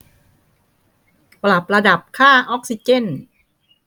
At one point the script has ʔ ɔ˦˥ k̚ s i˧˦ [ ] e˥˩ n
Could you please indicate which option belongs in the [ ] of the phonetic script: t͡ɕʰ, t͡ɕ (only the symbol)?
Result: t͡ɕ